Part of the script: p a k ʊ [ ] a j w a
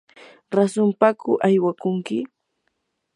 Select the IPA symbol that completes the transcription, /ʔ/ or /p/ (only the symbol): ʔ